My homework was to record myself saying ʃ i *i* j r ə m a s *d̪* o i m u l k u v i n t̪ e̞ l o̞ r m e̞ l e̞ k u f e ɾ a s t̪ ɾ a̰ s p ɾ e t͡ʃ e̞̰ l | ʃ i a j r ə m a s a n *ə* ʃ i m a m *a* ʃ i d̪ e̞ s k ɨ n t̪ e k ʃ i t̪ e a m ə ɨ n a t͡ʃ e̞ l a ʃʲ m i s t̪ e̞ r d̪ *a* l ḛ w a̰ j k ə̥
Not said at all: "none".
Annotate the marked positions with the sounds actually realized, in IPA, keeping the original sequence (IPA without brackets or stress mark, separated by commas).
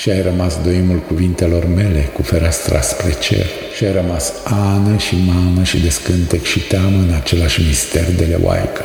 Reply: a, d̪, ə, ə, e